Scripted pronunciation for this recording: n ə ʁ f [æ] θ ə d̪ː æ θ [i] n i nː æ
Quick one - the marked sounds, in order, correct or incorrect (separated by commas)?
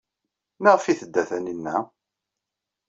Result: incorrect, incorrect